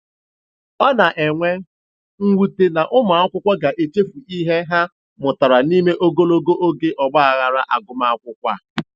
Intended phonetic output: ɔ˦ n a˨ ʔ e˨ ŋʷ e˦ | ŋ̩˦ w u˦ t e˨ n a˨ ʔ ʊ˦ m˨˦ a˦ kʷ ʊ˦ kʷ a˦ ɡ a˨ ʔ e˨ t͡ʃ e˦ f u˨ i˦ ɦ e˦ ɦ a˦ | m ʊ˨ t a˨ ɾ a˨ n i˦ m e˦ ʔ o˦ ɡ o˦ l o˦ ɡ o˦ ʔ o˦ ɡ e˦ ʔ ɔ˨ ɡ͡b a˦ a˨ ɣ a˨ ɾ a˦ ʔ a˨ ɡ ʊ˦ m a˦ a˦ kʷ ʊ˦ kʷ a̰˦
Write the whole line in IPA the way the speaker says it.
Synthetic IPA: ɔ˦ n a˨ ʔ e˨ ŋʷ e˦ | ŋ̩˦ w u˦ t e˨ n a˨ ʔ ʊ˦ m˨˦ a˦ kʷ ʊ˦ kʷ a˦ ɡ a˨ ʔ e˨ t͡ʃ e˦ f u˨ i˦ ɦ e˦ ɦ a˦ | m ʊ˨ t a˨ ɾ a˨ n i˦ m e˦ ʔ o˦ ɡ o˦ l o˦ ɡ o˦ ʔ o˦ ɡ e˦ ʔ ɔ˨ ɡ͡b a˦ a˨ ɣ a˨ ɾ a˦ ʔ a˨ ɡ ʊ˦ m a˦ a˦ kʷ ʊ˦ kʷ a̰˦

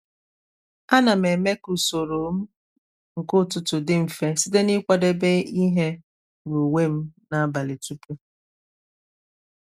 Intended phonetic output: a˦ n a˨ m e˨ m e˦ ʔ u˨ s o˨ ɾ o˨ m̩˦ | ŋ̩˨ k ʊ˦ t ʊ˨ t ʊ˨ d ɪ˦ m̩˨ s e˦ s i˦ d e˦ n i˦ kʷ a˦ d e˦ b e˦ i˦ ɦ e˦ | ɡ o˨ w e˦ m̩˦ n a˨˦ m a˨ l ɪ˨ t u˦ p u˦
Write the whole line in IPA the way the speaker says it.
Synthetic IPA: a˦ n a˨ m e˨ m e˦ k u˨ s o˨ ɾ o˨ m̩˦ | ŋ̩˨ k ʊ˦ t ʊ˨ t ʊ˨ d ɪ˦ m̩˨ f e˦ s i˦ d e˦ n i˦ kʷ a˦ d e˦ b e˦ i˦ ɦ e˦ | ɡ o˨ w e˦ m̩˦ n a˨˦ b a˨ l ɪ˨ t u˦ p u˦

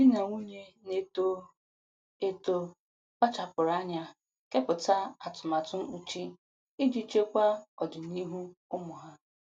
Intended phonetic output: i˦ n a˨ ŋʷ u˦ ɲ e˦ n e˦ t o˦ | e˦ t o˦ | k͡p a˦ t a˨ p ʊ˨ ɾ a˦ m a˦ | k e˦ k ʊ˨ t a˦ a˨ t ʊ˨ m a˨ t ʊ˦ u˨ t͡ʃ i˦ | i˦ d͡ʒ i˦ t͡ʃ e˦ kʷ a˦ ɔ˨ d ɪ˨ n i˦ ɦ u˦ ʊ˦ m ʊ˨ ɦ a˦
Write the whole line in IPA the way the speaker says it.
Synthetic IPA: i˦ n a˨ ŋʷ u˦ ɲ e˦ n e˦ t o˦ | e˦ t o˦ | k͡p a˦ t͡ʃ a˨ p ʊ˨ ɾ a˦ ɲ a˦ | k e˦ p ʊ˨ t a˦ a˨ t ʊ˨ m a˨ t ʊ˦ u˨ t͡ʃ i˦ | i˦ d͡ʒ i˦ t͡ʃ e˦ kʷ a˦ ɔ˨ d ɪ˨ n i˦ ɦ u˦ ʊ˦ m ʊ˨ ɦ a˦

